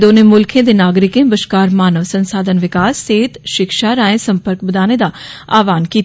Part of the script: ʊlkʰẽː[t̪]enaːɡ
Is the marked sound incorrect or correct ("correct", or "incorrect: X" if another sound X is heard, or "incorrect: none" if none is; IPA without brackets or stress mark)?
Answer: incorrect: d̪